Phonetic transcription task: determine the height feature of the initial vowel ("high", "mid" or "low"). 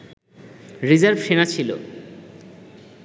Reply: high